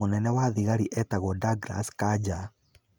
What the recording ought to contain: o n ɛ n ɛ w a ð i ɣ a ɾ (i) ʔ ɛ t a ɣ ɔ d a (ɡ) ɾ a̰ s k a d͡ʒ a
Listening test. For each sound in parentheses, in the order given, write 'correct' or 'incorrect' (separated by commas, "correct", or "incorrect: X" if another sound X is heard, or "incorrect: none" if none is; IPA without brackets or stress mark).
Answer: correct, correct